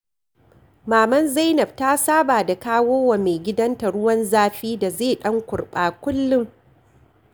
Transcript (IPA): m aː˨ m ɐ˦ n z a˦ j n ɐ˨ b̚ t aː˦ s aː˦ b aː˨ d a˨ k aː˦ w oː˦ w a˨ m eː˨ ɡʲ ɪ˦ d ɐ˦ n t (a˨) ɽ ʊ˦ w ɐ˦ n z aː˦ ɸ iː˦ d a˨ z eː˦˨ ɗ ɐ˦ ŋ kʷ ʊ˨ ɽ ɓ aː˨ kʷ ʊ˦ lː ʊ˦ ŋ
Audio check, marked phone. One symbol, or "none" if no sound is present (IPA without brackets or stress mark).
a˨